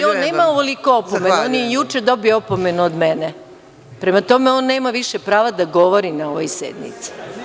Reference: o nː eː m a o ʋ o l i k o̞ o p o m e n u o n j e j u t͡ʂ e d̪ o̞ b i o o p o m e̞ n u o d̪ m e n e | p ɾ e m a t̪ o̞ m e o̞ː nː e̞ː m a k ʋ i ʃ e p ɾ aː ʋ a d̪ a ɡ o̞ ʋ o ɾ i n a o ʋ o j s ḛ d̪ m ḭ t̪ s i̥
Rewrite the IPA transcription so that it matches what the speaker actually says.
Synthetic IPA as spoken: o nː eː m a o ʋ o l i k o̞ o p o m e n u o n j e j u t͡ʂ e d̪ o̞ b i o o p o m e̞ n u o d̪ m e n e | p ɾ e m a t̪ o̞ m e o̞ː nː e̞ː m a ʋ i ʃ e p ɾ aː ʋ a d̪ a ɡ o̞ ʋ o ɾ i n a o ʋ o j s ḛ d̪ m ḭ t̪ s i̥